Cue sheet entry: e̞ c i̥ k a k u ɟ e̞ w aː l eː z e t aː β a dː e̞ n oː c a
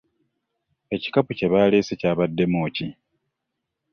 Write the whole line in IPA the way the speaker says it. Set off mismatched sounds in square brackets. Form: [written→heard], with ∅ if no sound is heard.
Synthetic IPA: e̞ c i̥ k a [k→p] u [ɟ→c] e̞ [w→β] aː l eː [z→s] e [t→c] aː β a dː e̞ [n→m] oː c [a→i]